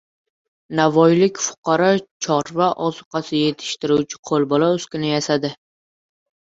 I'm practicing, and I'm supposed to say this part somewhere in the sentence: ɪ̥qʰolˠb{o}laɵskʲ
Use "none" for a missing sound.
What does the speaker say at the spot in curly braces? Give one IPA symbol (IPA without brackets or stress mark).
ɒ